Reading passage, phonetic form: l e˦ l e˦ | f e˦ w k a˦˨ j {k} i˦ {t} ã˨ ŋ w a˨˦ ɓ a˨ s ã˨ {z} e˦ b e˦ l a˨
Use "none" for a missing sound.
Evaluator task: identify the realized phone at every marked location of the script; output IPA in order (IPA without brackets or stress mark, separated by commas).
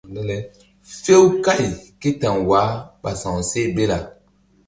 k, t, s